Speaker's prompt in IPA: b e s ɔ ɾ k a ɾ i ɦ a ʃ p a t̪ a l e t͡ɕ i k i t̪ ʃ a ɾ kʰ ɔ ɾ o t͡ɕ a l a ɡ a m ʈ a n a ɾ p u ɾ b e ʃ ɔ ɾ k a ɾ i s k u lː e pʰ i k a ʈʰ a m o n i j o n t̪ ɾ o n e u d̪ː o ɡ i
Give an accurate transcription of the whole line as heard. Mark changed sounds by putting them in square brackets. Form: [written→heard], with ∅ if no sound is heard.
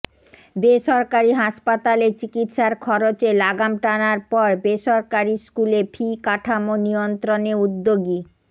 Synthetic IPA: b e [s→ʃ] ɔ ɾ k a ɾ i ɦ a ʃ p a t̪ a l e t͡ɕ i k i t̪ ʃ a ɾ kʰ ɔ ɾ o t͡ɕ [a→e] l a ɡ a m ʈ a n a ɾ p [u→ɔ] ɾ b e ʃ ɔ ɾ k a ɾ i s k u [lː→l] e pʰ i k a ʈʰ a m o n i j o n t̪ ɾ o n e u d̪ː o ɡ i

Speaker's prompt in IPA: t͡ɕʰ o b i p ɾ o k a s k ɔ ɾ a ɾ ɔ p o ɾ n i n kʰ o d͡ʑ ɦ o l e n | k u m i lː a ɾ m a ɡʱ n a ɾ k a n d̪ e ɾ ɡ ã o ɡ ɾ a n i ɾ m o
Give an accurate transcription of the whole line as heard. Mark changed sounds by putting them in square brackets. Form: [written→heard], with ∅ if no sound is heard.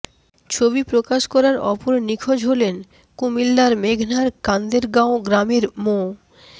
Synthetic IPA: t͡ɕʰ o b i p ɾ o k a [s→ʃ] k ɔ ɾ a ɾ ɔ p o ɾ n i [n→∅] kʰ o d͡ʑ ɦ o l e n | k u m i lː a ɾ m [a→e] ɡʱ n a ɾ k a n d̪ e ɾ ɡ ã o ɡ ɾ a [n→m] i ɾ m o

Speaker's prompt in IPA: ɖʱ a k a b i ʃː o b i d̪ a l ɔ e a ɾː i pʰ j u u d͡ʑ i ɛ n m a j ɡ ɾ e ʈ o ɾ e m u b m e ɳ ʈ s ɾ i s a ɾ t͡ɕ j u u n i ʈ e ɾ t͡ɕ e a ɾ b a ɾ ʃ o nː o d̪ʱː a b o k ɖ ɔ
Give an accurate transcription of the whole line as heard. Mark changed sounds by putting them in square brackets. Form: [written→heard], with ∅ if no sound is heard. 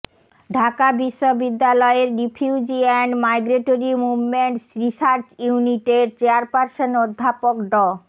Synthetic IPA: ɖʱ a k a b i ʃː o b i [d̪→d̪ː] a l ɔ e [a→e] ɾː i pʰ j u u d͡ʑ i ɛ n m a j ɡ ɾ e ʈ o ɾ [e→i] m u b m e ɳ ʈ s ɾ i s a ɾ t͡ɕ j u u n i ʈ e ɾ t͡ɕ e a ɾ [b→p] a ɾ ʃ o [nː→n] o d̪ʱː a [b→p] o k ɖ ɔ

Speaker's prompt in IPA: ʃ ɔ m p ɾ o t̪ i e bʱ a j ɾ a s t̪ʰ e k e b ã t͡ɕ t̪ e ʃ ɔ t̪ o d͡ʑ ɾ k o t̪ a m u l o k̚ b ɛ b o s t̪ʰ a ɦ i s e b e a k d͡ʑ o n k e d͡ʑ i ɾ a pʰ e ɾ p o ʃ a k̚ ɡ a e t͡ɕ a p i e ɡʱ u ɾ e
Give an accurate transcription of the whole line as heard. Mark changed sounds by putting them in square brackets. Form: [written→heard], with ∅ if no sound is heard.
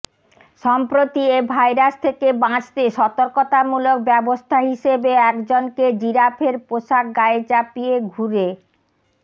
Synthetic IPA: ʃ ɔ m p ɾ o t̪ i e bʱ a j ɾ a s t̪ʰ e k e b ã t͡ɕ t̪ e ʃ ɔ t̪ o [d͡ʑ→∅] ɾ k o t̪ a m u l o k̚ b ɛ b o s t̪ʰ a ɦ i [s→ʃ] e b e [a→ɛ] k d͡ʑ o n k e d͡ʑ i ɾ a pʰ e ɾ p o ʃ a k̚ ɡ a e t͡ɕ a p i e ɡʱ u ɾ e

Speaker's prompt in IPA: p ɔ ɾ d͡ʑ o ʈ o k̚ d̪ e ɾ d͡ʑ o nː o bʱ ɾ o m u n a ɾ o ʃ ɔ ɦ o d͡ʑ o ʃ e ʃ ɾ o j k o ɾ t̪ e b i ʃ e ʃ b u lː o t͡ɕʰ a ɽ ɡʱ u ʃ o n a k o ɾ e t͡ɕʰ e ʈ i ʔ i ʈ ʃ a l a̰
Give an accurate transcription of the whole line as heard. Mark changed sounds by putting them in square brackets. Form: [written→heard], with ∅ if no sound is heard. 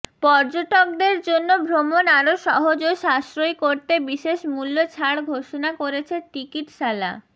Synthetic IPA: p ɔ ɾ d͡ʑ o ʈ o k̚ d̪ e ɾ d͡ʑ o nː o bʱ ɾ o m [u→o] n a ɾ o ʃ ɔ ɦ o d͡ʑ o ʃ [e→a] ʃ ɾ o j k o ɾ t̪ e b i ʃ e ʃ [b→m] u lː o t͡ɕʰ a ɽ ɡʱ [u→o] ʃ o n a k o ɾ e t͡ɕʰ e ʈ i [ʔ→k] i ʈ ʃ a l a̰

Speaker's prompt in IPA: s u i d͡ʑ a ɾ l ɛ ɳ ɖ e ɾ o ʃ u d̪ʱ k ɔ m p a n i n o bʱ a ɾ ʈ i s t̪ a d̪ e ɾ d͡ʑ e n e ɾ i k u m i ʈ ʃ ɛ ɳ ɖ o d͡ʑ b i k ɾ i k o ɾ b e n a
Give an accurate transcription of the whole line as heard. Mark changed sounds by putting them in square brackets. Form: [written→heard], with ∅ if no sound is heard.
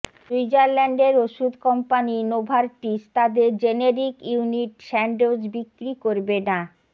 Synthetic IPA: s u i d͡ʑ a ɾ l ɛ ɳ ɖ e ɾ o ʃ u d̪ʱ k ɔ m p a n i n o bʱ a ɾ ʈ i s t̪ a d̪ e ɾ d͡ʑ e n e ɾ i k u [m→n] i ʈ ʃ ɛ ɳ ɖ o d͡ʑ b i k ɾ i k o ɾ b e n a

